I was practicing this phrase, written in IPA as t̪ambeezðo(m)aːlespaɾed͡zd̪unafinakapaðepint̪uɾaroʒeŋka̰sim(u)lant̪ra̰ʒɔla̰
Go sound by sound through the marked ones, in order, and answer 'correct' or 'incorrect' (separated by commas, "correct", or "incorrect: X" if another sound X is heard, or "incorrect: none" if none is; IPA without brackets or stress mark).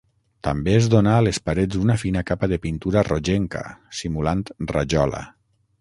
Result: incorrect: n, correct